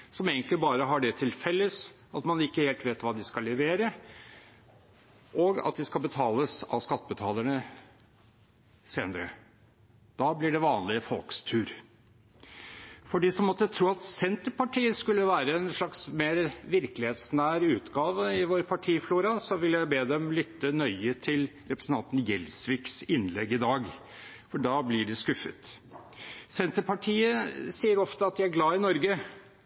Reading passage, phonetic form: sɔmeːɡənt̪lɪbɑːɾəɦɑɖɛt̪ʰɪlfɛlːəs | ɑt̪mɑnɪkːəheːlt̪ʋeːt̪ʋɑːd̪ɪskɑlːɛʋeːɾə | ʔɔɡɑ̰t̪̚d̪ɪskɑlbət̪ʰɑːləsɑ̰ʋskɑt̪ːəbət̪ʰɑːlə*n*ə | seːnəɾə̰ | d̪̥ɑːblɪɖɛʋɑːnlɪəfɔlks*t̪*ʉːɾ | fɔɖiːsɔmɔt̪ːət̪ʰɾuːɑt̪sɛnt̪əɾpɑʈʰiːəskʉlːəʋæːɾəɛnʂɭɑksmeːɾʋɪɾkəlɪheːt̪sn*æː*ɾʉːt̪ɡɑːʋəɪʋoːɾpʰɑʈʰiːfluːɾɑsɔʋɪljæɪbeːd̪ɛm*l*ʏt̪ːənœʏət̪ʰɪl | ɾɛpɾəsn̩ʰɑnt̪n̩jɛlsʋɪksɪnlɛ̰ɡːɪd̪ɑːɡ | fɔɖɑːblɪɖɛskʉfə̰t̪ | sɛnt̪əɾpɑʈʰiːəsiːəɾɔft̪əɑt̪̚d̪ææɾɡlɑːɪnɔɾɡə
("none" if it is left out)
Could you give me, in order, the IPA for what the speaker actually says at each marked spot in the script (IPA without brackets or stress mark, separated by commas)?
ɳ, t̪ʰ, æː, l